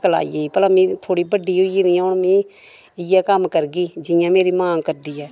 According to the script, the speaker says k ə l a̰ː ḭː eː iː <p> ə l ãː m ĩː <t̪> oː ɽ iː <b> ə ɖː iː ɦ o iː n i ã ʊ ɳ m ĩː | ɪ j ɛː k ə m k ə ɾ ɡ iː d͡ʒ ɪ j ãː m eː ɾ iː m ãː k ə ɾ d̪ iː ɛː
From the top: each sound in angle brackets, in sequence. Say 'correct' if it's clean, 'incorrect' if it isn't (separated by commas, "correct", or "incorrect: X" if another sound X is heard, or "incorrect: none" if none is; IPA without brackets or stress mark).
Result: correct, incorrect: t̪ʰ, correct